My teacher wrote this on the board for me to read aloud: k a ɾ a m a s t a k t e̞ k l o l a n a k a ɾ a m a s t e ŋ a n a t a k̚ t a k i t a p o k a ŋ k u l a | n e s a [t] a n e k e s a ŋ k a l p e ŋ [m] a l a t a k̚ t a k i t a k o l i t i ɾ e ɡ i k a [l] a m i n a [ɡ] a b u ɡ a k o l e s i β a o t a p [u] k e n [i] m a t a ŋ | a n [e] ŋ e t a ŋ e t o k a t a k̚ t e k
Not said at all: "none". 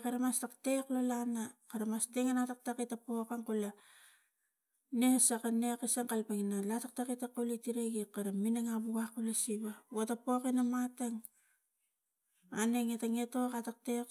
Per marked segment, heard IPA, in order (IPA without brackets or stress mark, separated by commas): k, n, ɾ, ŋ, o, a, e